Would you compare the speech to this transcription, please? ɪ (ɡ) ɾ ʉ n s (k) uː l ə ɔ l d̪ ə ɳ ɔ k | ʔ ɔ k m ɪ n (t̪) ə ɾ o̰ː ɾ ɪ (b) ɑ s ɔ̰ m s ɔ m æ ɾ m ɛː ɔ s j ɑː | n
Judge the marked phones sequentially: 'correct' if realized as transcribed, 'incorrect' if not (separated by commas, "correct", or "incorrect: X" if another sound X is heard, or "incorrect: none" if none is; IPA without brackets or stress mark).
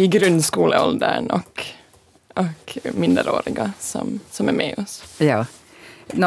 correct, correct, incorrect: d̪, incorrect: ɡ